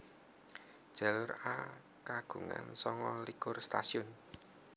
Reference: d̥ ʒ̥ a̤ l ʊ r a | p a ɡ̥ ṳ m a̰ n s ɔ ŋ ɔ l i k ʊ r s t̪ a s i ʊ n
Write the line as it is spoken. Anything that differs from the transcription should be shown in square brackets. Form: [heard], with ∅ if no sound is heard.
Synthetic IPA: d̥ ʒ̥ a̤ l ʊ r a | [k] a ɡ̥ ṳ [ŋ] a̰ n s ɔ ŋ ɔ l i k ʊ r s t̪ a s i ʊ n